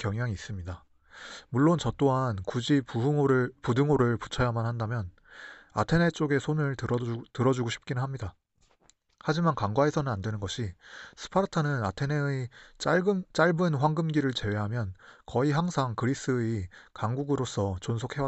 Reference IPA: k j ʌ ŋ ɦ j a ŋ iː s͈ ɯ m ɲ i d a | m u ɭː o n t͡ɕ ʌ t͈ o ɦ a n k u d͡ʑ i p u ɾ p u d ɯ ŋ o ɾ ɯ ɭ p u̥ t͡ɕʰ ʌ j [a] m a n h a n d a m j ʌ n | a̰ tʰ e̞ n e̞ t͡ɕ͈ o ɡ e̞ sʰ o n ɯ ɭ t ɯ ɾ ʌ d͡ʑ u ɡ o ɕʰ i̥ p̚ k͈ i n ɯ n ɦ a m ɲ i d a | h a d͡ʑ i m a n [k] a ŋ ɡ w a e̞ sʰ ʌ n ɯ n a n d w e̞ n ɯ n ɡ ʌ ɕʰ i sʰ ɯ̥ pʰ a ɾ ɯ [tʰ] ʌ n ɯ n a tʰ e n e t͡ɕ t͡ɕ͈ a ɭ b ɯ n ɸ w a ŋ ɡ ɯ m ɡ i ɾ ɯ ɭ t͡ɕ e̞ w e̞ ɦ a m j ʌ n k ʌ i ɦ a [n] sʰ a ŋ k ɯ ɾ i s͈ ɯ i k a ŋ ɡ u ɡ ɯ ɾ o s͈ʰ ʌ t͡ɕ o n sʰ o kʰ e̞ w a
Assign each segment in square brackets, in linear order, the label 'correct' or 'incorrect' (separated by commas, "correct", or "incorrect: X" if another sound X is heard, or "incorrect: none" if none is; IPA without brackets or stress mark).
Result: correct, correct, correct, incorrect: ŋ